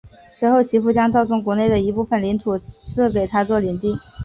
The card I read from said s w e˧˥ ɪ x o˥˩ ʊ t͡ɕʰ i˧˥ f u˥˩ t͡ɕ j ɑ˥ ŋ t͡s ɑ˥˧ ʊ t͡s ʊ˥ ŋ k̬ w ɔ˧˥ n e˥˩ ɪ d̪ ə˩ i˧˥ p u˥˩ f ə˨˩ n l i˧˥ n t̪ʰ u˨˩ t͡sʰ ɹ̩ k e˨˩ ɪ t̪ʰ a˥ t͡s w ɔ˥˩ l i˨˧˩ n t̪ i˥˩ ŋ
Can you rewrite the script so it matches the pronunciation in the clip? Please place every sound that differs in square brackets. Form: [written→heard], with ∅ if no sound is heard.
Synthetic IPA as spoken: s w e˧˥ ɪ x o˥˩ ʊ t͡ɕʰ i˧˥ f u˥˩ t͡ɕ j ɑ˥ ŋ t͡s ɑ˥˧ ʊ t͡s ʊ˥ ŋ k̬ w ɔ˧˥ n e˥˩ ɪ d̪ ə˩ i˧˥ p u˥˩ f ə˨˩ n l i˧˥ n t̪ʰ u˨˩ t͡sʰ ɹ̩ k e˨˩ ɪ t̪ʰ a˥ t͡s w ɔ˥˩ l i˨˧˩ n t̪ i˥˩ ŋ